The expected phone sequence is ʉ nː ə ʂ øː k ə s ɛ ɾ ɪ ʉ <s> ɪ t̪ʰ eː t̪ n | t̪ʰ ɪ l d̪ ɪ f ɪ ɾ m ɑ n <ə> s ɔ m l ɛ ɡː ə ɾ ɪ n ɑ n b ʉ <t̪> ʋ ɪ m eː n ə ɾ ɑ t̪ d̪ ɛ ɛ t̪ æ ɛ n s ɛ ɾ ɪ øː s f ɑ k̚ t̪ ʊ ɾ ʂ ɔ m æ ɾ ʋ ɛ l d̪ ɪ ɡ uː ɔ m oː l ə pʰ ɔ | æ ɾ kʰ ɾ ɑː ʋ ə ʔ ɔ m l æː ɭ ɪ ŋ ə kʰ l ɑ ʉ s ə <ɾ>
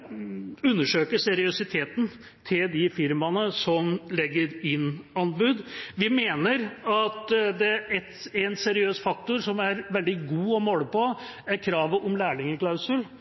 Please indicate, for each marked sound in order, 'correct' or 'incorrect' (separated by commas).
correct, correct, incorrect, incorrect